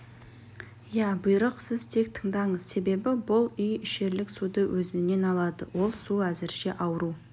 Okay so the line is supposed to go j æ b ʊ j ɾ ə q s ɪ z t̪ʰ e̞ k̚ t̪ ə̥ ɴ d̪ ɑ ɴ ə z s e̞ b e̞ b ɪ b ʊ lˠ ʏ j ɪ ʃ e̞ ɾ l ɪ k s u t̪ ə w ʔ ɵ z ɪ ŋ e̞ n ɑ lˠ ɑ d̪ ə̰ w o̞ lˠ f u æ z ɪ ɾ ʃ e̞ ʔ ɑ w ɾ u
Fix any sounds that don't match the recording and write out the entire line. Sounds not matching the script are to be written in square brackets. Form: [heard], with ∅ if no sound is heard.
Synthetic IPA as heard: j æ b ʊ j ɾ ə q s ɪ z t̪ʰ e̞ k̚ [t̪ʰ] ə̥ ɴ d̪ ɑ ɴ ə z s e̞ b e̞ b ɪ b ʊ lˠ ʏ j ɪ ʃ e̞ ɾ l ɪ k s u [d̪] ə w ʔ ɵ z ɪ [n] e̞ n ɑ lˠ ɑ d̪ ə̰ w o̞ lˠ [s] u æ z ɪ ɾ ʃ e̞ ʔ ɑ w ɾ u